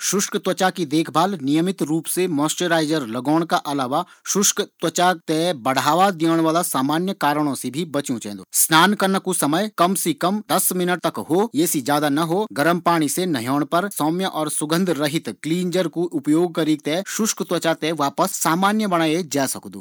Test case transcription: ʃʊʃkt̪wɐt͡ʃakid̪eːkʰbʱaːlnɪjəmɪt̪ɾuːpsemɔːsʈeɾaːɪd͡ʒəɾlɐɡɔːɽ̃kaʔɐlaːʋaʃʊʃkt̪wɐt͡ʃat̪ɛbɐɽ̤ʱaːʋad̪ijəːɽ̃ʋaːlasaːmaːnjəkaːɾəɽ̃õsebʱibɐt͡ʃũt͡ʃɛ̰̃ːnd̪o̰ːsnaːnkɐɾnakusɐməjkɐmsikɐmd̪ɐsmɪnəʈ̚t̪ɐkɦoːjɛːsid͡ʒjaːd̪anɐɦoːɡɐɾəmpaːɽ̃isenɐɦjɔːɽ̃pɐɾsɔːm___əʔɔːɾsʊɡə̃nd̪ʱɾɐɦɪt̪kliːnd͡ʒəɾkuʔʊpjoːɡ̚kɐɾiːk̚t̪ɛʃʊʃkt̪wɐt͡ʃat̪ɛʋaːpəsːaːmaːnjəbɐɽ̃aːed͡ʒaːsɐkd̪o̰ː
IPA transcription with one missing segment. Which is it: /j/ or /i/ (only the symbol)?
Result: j